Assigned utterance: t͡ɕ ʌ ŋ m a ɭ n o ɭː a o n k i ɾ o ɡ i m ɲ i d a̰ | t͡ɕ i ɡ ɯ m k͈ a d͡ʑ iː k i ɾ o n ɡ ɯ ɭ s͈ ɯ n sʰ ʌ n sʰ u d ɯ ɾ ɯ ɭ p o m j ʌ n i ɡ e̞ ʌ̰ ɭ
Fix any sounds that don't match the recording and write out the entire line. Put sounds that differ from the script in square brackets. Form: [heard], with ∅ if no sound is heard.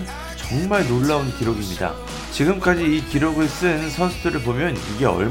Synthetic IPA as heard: t͡ɕ ʌ ŋ m a ɭ n o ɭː a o n k i ɾ o ɡ i m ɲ i d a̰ | t͡ɕ i ɡ ɯ m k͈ a d͡ʑ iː k i ɾ o [∅] ɡ ɯ ɭ s͈ ɯ n sʰ ʌ n sʰ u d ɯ ɾ ɯ ɭ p o m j ʌ n i ɡ e̞ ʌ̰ ɭ